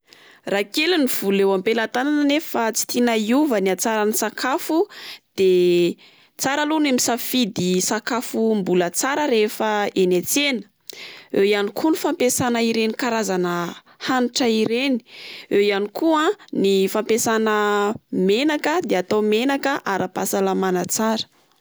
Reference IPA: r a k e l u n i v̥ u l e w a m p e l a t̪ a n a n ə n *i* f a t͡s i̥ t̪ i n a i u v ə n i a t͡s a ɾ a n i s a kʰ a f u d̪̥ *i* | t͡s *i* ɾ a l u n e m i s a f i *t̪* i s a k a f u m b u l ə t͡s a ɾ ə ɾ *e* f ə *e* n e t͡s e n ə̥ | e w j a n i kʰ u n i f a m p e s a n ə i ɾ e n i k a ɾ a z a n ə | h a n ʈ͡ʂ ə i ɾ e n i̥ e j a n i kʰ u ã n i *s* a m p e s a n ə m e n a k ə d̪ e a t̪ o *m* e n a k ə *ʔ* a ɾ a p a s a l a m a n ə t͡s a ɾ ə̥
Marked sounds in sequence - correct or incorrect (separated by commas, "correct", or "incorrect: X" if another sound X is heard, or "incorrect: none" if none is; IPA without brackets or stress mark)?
incorrect: e, incorrect: e, incorrect: a, incorrect: d̪, correct, correct, incorrect: f, correct, correct